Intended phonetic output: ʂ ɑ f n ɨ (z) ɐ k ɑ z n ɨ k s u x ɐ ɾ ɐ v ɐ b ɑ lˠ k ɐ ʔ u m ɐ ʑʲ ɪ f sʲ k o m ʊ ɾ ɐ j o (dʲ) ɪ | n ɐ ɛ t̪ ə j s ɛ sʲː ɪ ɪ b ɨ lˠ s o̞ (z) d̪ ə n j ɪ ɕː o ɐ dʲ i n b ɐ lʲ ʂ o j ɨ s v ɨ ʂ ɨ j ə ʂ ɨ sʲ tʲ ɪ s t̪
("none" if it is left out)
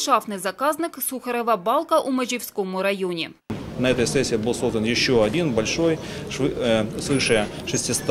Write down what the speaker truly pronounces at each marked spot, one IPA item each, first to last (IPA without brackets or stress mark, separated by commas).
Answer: z, nʲ, z